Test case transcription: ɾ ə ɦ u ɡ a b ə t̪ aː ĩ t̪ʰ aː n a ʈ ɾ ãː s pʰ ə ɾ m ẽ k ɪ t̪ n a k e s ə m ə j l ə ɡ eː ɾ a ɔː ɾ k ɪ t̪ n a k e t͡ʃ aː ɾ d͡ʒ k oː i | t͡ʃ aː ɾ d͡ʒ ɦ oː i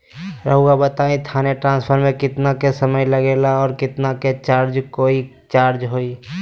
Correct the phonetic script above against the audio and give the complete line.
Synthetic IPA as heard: ɾ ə ɦ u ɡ a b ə t̪ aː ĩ t̪ʰ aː n e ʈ ɾ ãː s pʰ ə ɾ m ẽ k ɪ t̪ n a k e s ə m ə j l ə ɡ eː l a ɔː ɾ k ɪ t̪ n a k e t͡ʃ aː ɾ d͡ʒ k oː i | t͡ʃ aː ɾ d͡ʒ ɦ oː i